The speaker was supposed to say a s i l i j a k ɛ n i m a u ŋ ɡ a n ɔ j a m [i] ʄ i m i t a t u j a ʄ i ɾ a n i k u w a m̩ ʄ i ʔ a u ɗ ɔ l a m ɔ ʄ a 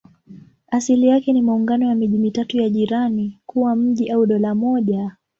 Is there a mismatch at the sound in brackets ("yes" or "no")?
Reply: no